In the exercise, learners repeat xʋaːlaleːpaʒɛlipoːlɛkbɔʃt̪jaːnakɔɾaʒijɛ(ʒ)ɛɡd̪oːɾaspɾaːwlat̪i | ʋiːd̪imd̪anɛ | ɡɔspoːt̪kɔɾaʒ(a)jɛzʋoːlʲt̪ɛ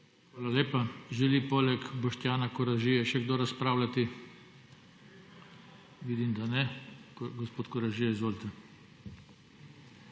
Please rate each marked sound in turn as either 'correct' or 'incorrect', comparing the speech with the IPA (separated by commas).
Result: incorrect, incorrect